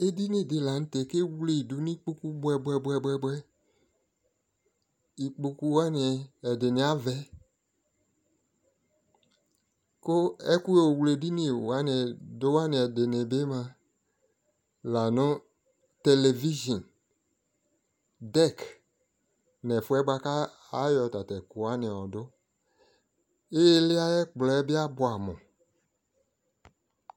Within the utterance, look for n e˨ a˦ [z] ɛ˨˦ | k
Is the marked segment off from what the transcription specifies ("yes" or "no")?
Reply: yes